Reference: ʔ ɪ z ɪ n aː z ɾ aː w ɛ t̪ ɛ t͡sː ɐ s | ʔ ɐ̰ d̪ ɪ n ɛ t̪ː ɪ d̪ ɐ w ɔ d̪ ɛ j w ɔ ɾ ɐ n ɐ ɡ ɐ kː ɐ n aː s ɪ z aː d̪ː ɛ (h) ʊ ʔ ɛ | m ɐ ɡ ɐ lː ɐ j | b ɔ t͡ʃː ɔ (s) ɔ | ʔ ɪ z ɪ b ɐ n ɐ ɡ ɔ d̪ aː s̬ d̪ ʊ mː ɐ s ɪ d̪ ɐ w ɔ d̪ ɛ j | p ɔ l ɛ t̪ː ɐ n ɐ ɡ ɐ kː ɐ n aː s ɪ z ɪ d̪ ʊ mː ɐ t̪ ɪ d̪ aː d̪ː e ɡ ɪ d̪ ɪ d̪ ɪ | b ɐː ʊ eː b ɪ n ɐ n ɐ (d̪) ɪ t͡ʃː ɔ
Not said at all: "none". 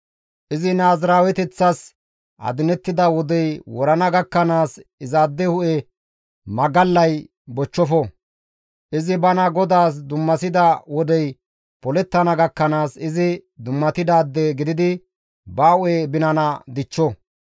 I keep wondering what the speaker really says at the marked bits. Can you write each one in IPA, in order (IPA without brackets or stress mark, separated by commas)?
h, f, d̪